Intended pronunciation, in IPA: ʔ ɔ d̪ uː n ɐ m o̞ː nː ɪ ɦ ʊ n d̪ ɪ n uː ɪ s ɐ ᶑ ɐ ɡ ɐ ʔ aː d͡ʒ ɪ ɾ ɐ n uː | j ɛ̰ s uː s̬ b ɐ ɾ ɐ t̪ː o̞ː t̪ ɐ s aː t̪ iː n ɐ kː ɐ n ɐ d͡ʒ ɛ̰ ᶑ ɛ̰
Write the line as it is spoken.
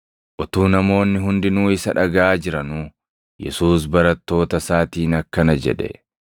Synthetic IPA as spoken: ʔ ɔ t̪ uː n ɐ m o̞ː nː ɪ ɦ ʊ n d̪ ɪ n uː ɪ s ɐ ᶑ ɐ ɡ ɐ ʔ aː d͡ʒ ɪ ɾ ɐ n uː | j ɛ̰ s uː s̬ b ɐ ɾ ɐ t̪ː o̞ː t̪ ɐ s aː t̪ iː n ɐ kː ɐ n ɐ d͡ʒ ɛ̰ ᶑ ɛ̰